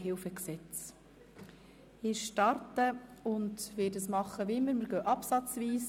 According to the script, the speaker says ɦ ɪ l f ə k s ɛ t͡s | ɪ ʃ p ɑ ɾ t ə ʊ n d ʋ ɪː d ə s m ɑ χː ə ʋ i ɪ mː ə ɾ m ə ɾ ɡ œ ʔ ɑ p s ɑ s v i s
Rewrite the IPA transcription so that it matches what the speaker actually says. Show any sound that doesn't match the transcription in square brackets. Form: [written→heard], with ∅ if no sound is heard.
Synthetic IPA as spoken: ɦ ɪ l f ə k s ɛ t͡s | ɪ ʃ [p→t] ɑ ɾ t ə ʊ n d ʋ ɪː d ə s m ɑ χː ə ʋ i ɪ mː ə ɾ m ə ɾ ɡ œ ʔ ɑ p s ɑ [s→t͡s] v [i→iː] s

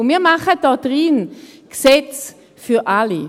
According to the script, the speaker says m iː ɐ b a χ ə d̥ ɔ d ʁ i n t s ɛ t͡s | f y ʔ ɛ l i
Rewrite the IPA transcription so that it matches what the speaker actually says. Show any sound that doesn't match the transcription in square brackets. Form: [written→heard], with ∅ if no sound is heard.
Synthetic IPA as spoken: m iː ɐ [b→m] a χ ə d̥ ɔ d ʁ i n [t→k] s ɛ t͡s | f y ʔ [ɛ→a] l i

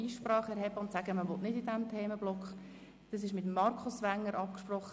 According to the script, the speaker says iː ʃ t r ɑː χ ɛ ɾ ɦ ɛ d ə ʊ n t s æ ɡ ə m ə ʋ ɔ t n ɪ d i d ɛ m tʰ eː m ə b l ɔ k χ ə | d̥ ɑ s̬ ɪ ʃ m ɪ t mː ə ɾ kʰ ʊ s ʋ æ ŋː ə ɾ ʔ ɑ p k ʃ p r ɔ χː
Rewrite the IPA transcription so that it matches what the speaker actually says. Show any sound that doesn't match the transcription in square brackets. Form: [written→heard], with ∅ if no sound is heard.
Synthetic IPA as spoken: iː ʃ [t→p] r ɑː χ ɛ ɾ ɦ ɛ [d→b] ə ʊ n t s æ ɡ ə m ə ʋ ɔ t n ɪ d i d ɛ m tʰ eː m ə b l ɔ k χ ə | d̥ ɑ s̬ ɪ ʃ m ɪ t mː [ə→ɑ] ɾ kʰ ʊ s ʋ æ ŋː ə ɾ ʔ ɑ p k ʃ p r ɔ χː

